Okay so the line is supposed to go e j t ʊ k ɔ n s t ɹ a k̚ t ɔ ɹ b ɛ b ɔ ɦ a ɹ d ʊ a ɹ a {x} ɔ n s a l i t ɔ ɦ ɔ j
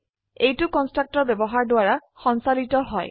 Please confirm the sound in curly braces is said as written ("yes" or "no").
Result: yes